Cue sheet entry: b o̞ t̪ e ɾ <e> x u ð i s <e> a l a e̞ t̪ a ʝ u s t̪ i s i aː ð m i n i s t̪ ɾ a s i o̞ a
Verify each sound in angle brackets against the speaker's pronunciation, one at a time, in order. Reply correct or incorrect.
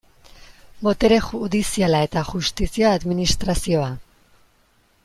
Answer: correct, incorrect: i

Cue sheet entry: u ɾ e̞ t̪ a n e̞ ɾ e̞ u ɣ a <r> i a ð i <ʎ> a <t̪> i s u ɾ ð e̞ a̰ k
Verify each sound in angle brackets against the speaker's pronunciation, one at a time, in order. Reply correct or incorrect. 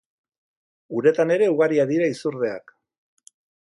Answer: incorrect: ɾ, incorrect: ɾ, incorrect: none

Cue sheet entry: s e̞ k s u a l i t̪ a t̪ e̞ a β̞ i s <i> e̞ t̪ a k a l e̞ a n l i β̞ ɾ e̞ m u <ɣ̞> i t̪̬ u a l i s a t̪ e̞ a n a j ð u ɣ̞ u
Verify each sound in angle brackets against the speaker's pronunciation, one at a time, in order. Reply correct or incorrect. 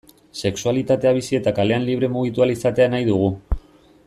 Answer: correct, correct

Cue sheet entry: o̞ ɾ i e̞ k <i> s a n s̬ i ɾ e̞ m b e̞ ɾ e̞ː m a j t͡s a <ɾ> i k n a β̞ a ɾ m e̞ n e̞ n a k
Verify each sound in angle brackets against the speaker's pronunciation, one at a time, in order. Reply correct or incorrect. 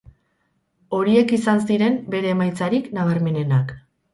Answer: correct, correct

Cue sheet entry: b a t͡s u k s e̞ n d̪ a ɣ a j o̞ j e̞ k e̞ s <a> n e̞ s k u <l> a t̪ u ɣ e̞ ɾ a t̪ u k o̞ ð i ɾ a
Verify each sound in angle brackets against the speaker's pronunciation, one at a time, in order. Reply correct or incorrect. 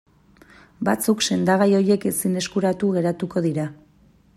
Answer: incorrect: i, incorrect: ɾ

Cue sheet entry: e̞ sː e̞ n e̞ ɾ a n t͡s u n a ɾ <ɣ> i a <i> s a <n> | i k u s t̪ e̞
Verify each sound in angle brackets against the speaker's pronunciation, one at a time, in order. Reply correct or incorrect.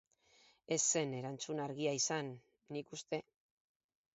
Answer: correct, correct, incorrect: nː

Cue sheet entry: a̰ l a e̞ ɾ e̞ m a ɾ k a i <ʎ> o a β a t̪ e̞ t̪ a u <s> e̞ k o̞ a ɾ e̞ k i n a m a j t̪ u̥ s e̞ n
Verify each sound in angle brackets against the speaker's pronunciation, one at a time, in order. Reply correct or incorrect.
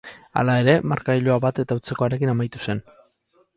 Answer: correct, incorrect: t͡s

